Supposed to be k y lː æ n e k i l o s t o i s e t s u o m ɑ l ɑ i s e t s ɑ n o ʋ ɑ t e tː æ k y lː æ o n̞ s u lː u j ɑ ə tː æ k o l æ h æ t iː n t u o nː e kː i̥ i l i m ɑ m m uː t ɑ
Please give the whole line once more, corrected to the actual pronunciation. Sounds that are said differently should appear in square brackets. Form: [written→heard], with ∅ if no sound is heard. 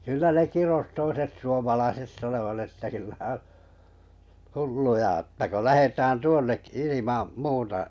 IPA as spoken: k y lː æ n e k i [l→r] o s t o i s e t s u o m ɑ l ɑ i s e t s ɑ n o ʋ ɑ t e tː æ k y lː æ o n̞ [s→h] u lː u j ɑ ə tː æ k o l æ h [æ→e] t [iː→æː] n t u o nː e kː i̥ i l i m ɑ m m uː t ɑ